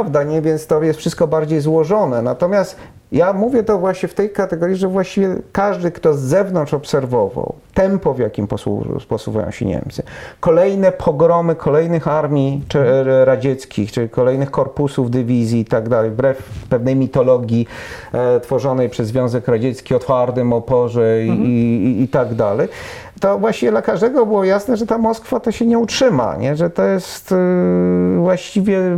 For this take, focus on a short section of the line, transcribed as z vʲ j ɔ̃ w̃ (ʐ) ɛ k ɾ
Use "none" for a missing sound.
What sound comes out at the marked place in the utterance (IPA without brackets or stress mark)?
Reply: z